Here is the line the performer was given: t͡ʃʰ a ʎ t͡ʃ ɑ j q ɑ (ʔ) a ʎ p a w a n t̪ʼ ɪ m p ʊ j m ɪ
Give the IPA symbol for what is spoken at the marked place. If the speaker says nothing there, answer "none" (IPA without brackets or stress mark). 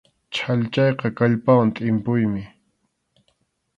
k